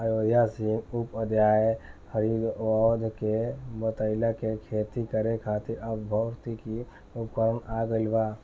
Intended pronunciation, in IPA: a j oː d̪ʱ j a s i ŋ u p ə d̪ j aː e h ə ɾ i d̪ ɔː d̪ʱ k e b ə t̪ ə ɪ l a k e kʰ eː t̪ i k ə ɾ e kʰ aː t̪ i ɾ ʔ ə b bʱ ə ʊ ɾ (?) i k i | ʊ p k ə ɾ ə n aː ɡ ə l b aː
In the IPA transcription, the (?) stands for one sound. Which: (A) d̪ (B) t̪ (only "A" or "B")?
B